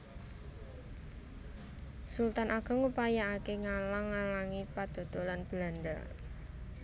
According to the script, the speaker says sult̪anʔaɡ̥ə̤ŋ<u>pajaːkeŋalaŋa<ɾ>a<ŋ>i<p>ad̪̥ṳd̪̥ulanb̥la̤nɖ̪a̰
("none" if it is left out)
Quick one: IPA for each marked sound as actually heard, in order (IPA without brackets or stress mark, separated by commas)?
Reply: u, l, ŋ, p